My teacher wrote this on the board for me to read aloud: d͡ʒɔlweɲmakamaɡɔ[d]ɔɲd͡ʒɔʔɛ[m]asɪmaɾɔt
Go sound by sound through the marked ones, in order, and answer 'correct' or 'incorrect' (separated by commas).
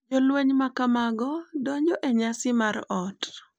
correct, incorrect